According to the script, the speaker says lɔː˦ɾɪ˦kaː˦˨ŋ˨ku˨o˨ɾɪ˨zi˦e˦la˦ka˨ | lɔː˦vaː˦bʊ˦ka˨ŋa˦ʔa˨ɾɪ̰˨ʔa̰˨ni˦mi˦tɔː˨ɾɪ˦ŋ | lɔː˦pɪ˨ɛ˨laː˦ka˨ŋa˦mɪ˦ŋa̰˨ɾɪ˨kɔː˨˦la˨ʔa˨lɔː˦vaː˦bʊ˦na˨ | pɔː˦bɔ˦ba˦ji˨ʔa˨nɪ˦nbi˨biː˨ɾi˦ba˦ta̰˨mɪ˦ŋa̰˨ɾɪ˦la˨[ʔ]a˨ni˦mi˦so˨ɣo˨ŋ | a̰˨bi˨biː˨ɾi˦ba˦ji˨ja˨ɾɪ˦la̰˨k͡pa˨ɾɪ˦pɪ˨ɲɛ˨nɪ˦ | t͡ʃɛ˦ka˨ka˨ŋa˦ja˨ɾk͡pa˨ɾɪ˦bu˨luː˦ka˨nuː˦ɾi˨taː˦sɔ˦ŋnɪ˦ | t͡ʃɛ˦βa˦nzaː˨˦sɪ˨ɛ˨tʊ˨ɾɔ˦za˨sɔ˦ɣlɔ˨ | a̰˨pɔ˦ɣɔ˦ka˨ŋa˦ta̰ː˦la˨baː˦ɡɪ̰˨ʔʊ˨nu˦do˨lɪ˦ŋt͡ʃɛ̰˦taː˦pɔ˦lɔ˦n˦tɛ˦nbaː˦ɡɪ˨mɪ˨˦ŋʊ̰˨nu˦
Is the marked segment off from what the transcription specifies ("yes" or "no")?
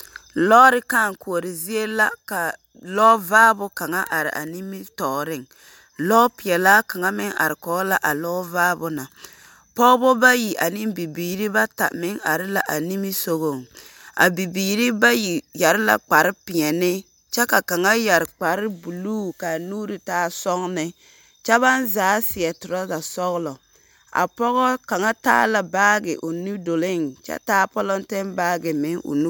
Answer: no